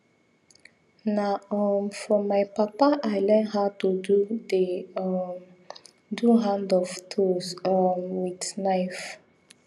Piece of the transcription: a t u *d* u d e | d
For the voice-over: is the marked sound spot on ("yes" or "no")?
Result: yes